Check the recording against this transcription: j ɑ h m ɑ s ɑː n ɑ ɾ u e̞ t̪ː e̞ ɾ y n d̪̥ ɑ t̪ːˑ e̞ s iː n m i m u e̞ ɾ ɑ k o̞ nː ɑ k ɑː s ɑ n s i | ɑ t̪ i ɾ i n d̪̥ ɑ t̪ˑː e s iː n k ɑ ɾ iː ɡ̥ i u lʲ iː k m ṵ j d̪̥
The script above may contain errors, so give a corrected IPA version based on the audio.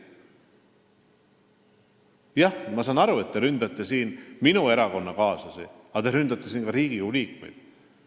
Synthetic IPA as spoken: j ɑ h m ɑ s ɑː n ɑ ɾ u e̞ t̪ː e̞ ɾ y n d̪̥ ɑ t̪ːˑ e̞ s iː n m i n u e̞ ɾ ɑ k o̞ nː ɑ k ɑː s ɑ s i | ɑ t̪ e ɾ y n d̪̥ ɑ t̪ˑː e s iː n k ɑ ɾ iː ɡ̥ i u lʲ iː k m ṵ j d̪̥